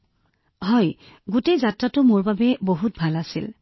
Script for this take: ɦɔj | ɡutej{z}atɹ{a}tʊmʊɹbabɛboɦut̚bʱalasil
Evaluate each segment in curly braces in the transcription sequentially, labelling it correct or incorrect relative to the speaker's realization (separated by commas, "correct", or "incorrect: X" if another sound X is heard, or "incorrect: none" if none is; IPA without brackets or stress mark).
correct, correct